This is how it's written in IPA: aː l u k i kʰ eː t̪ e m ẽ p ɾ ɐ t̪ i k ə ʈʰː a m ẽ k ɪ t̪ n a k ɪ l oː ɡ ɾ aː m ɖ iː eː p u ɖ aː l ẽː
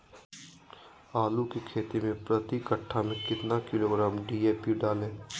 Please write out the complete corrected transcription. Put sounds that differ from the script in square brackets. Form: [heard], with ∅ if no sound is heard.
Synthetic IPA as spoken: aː l u k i kʰ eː t̪ [i] m ẽ p ɾ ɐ t̪ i k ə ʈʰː a m ẽ k ɪ t̪ n a k ɪ l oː ɡ ɾ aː m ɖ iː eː p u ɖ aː l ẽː